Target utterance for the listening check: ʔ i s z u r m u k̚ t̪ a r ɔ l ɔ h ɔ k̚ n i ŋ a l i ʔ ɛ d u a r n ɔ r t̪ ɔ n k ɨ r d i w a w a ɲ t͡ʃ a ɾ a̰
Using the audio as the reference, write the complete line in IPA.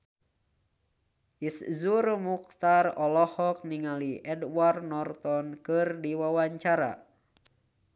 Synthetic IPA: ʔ i s z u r m u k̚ t̪ a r ɔ l ɔ h ɔ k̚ n i ŋ a l i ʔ ɛ d w a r n ɔ r t̪ ɔ n k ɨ r d i w a w a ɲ t͡ʃ a ɾ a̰